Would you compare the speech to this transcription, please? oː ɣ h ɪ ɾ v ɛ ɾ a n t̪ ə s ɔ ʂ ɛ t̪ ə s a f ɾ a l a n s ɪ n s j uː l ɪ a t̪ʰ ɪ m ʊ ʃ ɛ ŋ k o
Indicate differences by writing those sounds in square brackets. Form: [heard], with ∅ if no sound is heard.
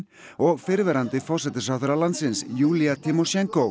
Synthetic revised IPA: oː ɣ [f] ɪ ɾ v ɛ ɾ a n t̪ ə [f] ɔ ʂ ɛ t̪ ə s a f ɾ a l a n s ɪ n s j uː l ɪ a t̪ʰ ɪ m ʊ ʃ ɛ ŋ k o